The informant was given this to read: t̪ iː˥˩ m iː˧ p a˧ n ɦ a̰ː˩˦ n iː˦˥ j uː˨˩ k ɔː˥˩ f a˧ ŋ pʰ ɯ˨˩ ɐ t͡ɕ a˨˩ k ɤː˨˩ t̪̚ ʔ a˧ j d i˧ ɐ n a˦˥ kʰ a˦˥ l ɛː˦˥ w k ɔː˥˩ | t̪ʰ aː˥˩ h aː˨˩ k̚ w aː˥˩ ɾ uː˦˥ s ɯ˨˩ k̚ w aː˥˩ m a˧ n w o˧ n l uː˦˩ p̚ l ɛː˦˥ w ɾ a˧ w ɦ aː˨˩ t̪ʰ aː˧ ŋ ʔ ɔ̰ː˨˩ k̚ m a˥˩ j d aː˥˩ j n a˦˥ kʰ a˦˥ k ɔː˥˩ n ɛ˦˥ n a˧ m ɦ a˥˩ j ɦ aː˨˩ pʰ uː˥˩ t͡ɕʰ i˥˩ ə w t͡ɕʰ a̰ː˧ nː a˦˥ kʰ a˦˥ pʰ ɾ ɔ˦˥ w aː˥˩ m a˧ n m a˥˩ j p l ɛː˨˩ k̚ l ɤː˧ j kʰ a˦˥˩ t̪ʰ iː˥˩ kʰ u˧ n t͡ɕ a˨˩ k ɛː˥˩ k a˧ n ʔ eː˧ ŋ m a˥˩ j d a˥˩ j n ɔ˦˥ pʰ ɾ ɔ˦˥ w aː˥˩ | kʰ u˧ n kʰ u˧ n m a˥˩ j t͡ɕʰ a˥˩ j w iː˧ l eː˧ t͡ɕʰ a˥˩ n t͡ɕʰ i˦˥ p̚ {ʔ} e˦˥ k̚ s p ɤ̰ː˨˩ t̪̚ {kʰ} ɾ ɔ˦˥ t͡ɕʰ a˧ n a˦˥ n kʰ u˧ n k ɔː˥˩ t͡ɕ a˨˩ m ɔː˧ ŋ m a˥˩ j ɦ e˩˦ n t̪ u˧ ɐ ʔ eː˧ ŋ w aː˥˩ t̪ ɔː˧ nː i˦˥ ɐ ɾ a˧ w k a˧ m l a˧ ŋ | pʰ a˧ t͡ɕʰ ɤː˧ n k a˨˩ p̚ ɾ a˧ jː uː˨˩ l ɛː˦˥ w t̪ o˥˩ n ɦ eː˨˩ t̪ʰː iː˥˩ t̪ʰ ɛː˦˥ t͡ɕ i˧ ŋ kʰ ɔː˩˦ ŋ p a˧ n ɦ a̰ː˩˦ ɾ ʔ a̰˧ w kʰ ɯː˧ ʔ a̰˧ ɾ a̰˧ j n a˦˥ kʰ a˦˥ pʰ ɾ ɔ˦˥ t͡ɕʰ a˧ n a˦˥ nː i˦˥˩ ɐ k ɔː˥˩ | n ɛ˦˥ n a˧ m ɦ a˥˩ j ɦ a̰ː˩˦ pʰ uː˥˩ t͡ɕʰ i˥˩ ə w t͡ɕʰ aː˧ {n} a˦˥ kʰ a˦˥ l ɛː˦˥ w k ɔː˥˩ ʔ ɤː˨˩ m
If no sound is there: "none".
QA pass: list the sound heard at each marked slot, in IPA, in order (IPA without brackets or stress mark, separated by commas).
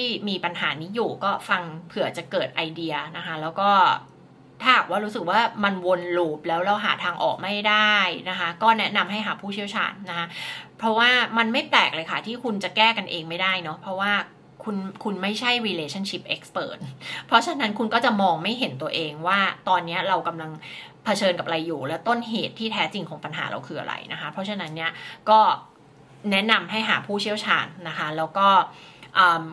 ʔ, pʰ, nː